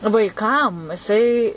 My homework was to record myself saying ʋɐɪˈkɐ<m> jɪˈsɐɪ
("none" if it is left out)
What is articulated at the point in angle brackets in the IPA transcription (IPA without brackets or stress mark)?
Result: m